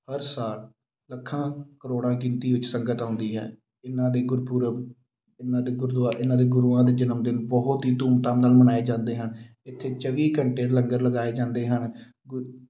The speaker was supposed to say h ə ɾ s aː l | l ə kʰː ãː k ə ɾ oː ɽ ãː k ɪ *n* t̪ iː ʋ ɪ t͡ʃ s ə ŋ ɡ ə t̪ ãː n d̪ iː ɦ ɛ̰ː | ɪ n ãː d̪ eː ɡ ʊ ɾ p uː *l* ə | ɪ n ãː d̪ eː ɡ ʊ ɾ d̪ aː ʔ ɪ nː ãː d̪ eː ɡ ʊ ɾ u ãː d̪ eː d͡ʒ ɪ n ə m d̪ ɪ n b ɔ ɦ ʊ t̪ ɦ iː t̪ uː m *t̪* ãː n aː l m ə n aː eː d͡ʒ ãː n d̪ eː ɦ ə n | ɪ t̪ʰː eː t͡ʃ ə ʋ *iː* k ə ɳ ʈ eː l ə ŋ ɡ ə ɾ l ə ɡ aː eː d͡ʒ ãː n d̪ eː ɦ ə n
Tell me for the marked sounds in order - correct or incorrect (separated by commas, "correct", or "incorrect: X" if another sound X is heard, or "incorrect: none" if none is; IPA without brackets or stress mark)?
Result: correct, incorrect: ɾ, correct, correct